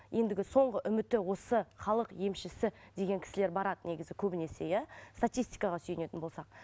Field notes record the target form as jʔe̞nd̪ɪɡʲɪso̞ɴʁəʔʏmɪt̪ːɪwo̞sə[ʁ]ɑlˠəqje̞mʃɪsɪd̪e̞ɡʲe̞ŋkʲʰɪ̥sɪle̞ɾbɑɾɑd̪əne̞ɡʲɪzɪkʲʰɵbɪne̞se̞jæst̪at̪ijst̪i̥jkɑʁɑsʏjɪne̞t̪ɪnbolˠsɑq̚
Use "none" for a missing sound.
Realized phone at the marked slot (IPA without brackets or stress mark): χ